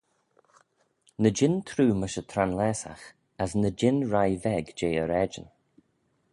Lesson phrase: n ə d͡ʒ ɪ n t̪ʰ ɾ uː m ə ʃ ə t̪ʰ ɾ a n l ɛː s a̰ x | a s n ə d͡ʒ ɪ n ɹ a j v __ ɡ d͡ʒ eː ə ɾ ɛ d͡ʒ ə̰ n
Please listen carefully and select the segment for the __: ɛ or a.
ɛ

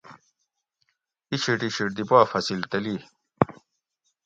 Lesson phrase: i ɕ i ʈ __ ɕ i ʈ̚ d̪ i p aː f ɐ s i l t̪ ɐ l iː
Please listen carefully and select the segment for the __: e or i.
i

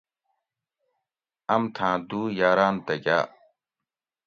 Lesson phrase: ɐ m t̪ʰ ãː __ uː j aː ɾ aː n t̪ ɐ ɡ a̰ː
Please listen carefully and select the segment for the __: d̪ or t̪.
d̪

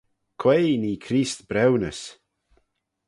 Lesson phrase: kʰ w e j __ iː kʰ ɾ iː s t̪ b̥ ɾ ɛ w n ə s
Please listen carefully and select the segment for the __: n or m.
n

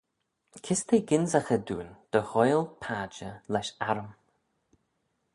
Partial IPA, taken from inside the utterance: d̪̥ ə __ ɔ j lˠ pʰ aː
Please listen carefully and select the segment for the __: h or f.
h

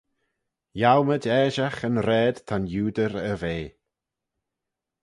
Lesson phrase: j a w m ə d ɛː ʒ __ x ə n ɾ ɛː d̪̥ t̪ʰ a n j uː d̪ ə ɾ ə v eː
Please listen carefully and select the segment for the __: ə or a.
a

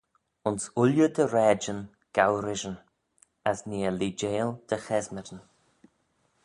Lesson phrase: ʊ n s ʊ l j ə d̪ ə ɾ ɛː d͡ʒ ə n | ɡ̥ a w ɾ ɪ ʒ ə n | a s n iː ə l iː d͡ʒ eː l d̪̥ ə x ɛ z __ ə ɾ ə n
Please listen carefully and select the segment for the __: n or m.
m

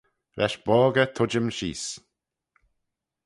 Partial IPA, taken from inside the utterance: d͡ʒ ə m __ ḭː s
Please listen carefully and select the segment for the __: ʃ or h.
ʃ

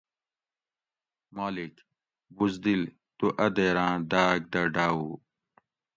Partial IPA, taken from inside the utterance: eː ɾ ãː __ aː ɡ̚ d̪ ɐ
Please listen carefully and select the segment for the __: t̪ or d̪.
d̪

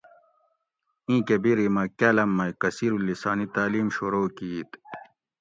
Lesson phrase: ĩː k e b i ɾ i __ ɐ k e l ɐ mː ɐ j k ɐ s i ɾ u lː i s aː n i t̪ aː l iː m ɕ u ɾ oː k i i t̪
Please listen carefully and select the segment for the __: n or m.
m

